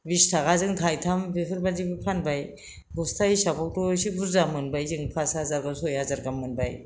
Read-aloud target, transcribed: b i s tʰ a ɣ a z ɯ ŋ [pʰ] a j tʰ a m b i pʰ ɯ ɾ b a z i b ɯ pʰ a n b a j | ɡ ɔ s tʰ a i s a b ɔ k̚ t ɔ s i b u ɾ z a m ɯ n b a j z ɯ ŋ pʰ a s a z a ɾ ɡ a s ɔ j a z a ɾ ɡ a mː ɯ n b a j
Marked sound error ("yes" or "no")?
yes